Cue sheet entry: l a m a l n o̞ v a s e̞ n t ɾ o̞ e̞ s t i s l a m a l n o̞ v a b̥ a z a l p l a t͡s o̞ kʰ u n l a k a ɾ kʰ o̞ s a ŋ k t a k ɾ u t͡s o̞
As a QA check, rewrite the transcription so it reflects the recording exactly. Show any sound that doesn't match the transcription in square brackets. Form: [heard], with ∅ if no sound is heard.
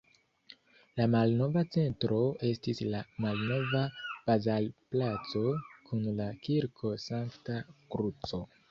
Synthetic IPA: l a m a l n o̞ v a [t͡s] e̞ n t ɾ o̞ e̞ s t i s l a m a l n o̞ v a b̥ a z a l p l a t͡s o̞ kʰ u n l a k [i] ɾ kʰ o̞ s a ŋ k t a k ɾ u t͡s o̞